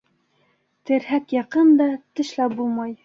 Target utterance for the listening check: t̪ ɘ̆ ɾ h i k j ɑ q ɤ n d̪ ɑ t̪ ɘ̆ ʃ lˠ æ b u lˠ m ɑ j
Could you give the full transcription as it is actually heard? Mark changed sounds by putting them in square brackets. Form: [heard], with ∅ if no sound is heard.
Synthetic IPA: t̪ ɘ̆ ɾ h [æ] k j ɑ q ɤ n d̪ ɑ t̪ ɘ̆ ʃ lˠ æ b u lˠ m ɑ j